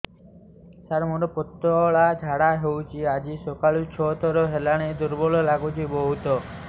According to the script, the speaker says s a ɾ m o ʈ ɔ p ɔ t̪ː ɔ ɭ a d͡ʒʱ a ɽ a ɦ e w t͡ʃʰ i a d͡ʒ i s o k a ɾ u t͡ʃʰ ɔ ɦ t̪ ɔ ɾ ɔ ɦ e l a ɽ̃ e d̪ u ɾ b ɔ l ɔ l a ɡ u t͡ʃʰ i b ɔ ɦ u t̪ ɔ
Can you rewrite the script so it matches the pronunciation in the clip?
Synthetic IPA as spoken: s a ɾ m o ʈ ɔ p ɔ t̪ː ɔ ɭ a d͡ʒʱ a ɽ a ɦ e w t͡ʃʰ i a d͡ʒ i s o k a ɭ u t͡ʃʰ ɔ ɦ t̪ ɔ ɾ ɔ ɦ e l a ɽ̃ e d̪ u ɾ b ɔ l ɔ l a ɡ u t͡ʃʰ i b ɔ ɦ u t̪ ɔ